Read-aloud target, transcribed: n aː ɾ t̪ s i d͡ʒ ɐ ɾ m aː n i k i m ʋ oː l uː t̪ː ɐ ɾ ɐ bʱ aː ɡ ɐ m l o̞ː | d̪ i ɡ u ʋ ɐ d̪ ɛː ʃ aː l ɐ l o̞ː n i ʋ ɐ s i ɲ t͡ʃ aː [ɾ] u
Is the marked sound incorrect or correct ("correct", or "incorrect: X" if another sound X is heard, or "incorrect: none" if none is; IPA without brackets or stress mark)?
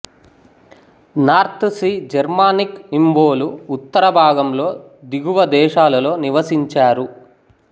correct